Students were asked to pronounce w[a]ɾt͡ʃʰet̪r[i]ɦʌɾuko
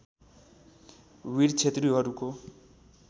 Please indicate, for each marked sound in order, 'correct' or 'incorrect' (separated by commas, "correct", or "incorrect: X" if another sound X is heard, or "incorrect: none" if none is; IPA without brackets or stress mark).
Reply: incorrect: i, correct